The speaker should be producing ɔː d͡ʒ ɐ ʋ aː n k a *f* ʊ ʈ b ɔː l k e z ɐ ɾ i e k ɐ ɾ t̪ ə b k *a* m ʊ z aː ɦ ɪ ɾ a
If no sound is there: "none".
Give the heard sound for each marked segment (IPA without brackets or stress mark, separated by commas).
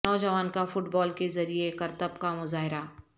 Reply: f, a